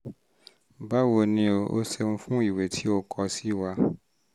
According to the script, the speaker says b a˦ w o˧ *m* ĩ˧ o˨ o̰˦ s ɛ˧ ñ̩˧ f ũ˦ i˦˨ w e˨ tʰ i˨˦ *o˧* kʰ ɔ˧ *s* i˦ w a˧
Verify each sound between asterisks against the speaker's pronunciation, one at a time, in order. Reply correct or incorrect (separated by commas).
incorrect, correct, correct